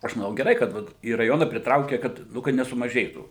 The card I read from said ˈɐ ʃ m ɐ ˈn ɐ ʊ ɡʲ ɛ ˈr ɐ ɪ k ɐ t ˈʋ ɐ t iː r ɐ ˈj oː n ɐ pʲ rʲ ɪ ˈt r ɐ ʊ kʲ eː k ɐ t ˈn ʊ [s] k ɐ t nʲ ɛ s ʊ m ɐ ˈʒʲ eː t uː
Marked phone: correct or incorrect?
incorrect